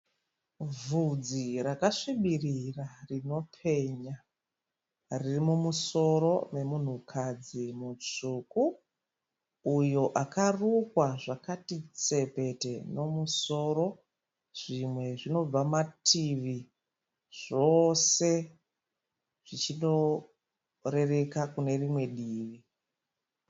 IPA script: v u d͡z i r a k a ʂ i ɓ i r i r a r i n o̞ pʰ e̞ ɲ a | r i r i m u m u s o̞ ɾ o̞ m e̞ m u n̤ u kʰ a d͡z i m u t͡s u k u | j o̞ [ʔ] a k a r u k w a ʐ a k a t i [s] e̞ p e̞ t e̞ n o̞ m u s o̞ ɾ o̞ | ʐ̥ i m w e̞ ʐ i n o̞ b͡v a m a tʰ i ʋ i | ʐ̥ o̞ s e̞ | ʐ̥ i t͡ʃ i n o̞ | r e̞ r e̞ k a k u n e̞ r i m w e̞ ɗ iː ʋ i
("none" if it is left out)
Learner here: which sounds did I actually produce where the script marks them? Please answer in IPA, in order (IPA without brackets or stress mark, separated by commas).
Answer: ʔ, t͡s